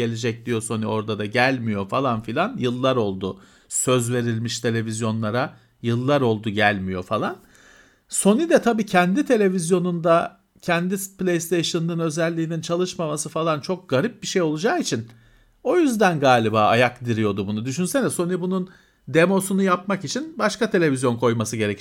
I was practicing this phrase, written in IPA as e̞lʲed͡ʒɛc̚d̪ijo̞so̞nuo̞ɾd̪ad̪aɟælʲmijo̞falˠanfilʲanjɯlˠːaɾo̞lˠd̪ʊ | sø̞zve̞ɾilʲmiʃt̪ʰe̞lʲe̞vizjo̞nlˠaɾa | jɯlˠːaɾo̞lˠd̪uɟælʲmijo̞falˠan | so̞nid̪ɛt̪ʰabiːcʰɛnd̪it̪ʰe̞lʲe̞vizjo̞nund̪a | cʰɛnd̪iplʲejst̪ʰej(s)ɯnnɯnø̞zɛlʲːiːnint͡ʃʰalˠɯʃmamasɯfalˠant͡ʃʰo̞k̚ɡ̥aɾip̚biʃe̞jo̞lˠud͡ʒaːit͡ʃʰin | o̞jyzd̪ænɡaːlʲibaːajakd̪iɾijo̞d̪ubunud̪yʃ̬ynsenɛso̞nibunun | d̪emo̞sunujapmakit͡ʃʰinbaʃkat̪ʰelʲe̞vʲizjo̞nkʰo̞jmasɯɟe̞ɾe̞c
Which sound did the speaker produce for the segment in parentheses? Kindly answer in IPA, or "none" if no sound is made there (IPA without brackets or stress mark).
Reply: ʃ